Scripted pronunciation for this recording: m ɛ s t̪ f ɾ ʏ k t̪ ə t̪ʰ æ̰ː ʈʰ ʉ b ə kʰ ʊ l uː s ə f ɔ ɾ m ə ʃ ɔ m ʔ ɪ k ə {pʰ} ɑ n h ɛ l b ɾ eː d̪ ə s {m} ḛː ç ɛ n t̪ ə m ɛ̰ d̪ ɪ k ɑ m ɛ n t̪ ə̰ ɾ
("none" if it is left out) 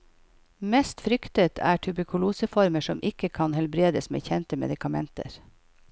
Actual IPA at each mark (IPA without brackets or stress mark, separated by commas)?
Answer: kʰ, m